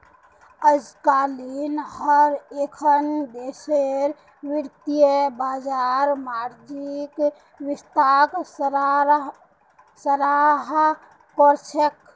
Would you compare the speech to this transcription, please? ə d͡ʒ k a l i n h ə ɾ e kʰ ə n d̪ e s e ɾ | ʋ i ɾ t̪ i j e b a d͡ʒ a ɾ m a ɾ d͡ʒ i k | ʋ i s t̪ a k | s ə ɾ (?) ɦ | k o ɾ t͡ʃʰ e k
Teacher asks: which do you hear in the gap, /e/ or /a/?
a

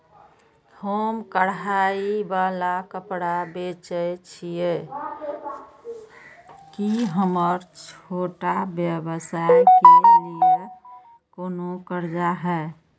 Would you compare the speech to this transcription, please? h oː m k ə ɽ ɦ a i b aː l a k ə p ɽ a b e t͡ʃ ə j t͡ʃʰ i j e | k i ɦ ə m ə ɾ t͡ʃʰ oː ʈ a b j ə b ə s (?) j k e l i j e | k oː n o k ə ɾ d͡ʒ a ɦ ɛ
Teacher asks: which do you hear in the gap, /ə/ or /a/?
a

